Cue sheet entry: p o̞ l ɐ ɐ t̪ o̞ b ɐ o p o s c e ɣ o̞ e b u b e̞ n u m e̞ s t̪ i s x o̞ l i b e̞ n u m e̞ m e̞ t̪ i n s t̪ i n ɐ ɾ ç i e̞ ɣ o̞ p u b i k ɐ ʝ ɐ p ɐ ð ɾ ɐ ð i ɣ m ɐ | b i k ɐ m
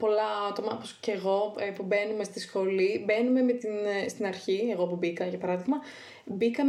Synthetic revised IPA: p o̞ l ɐ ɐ t̪ o̞ m ɐ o p o s c e ɣ o̞ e p u b e̞ n u m e̞ s t̪ i s x o̞ l i b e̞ n u m e̞ m e̞ t̪ i n s t̪ i n ɐ ɾ ç i e̞ ɣ o̞ p u b i k ɐ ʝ ɐ p ɐ ɾ ɐ ð i ɣ m ɐ | b i k ɐ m